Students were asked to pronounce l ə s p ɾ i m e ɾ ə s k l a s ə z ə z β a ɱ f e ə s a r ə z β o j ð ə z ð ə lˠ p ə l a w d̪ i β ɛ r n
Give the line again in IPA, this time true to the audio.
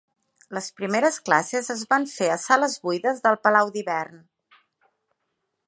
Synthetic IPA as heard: l ə s p ɾ i m e ɾ ə s k l a s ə z ə z β a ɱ f e ə s a l ə z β u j ð ə z ð ə lˠ p ə l a w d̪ i β ɛ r n